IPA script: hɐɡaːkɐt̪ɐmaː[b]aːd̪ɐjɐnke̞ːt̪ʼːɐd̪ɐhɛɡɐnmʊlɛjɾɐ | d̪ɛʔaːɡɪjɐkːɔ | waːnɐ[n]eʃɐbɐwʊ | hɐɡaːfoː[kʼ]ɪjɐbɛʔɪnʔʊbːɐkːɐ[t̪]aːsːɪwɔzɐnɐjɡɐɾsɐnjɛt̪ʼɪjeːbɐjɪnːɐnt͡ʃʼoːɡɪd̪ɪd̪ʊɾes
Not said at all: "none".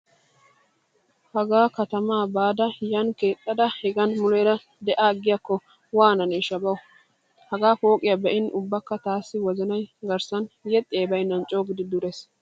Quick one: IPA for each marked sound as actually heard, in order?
b, n, kʼ, t̪

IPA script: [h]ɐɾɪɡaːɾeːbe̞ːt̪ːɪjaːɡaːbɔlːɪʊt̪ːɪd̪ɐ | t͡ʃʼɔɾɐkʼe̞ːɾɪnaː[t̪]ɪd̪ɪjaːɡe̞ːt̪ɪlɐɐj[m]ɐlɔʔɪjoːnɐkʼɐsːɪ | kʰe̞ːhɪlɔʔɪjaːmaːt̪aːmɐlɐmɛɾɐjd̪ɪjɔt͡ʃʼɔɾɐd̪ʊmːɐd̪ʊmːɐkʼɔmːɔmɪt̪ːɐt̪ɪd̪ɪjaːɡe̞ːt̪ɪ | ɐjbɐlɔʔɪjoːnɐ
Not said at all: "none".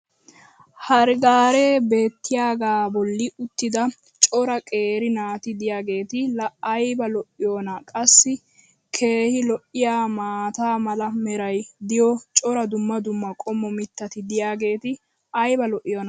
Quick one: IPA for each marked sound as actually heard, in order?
h, t̪, b

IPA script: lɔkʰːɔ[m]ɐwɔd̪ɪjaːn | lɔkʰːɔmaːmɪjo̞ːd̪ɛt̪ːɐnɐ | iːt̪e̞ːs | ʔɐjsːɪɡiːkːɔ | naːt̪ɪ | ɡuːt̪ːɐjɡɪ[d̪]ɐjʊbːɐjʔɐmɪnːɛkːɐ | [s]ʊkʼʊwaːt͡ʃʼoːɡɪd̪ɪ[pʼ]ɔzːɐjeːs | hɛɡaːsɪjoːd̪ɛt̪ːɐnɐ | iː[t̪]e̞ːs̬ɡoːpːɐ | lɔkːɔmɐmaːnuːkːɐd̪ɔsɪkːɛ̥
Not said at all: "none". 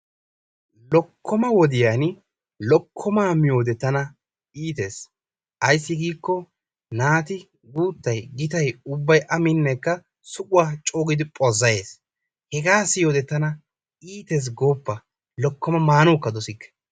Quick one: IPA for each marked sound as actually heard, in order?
m, t̪, s, pʼ, t̪

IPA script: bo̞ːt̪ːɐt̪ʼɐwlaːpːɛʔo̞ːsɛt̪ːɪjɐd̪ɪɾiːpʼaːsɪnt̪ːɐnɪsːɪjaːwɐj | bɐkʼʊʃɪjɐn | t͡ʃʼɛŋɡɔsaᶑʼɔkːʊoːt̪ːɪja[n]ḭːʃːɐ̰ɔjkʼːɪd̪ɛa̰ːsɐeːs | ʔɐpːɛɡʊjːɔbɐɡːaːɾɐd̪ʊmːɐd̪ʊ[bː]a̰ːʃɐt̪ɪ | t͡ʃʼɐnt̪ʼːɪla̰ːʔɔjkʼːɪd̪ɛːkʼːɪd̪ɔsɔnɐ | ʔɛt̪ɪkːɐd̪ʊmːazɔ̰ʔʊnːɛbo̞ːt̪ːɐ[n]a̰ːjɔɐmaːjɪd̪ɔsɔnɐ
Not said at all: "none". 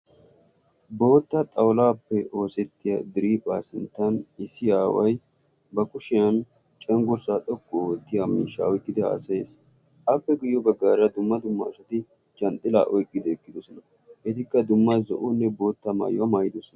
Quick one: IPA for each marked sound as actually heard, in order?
m, mː, m

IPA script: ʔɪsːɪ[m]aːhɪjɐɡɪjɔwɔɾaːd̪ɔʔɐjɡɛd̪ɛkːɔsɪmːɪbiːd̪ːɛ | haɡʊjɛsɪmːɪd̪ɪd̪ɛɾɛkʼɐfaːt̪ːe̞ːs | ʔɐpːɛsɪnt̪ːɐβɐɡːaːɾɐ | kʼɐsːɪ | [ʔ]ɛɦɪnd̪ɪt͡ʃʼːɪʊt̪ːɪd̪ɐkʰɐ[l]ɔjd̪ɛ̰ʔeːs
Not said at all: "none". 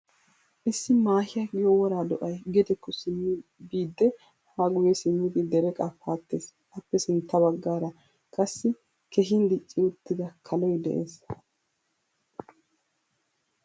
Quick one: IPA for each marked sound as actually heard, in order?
m, k, l

